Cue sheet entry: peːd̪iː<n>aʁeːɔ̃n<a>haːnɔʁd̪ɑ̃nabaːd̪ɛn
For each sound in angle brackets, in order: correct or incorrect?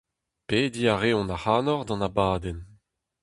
incorrect: none, correct

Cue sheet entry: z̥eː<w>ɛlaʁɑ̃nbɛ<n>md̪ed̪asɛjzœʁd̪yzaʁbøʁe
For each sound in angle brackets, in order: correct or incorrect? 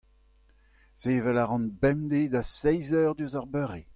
incorrect: v, incorrect: none

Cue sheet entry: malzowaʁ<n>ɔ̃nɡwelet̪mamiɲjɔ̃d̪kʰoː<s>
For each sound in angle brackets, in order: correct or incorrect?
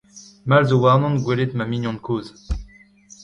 correct, incorrect: z

